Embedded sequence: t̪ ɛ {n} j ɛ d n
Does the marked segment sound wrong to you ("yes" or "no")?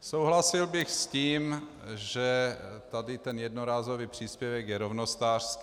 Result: no